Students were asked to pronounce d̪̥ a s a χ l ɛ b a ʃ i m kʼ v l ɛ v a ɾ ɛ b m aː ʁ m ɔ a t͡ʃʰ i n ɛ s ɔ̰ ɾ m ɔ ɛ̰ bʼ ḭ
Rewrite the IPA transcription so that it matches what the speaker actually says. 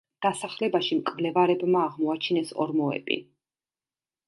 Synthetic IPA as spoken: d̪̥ a s a χ l ɛ b a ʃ i m kʼ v l ɛ v a ɾ ɛ b m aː ʁ m ɔ a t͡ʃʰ i n ɛ s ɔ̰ ɾ m ɔ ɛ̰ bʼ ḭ